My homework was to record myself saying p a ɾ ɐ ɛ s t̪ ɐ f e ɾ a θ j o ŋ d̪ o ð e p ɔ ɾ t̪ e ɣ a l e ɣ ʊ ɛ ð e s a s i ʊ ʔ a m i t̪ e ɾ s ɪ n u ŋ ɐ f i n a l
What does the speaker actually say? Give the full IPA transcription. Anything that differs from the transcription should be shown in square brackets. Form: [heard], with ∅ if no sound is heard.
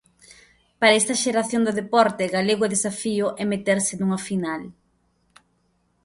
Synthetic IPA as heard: p a ɾ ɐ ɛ s t̪ ɐ [ʃ] e ɾ a θ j o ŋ d̪ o ð e p ɔ ɾ t̪ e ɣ a l e ɣ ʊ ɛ ð e s a [f] i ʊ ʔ [ɛ] m [e] t̪ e ɾ s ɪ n u ŋ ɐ f i n a l